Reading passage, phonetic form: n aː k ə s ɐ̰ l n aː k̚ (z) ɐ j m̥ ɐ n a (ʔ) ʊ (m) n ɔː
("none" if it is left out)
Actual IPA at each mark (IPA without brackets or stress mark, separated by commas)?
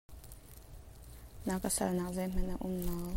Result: z, ʔ, m